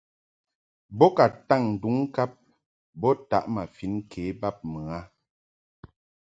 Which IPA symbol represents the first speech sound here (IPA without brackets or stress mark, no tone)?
b